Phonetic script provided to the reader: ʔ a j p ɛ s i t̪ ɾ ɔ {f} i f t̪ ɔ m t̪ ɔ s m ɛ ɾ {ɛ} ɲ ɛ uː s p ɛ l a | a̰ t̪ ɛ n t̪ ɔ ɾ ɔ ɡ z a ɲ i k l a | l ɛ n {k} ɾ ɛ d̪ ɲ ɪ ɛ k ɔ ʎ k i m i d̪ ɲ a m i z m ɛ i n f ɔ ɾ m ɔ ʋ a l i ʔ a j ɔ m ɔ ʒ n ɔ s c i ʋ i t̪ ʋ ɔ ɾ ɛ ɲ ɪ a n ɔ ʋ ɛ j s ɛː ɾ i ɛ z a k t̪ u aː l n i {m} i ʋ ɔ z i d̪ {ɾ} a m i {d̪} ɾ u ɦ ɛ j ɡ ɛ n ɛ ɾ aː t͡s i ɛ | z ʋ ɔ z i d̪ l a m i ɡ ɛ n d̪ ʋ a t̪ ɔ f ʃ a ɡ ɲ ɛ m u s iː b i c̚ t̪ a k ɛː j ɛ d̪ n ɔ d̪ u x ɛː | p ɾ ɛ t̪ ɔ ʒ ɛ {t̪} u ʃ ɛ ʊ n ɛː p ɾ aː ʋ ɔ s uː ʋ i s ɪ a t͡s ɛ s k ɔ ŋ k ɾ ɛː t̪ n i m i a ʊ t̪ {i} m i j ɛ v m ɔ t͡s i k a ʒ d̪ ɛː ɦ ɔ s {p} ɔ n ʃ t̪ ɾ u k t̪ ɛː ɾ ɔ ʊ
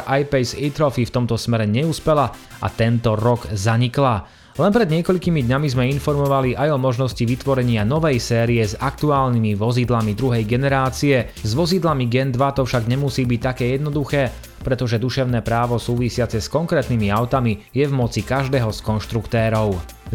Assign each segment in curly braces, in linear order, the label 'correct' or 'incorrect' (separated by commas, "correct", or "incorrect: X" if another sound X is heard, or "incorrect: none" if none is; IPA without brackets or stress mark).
correct, correct, incorrect: p, correct, incorrect: l, correct, incorrect: d̪, incorrect: a, incorrect: k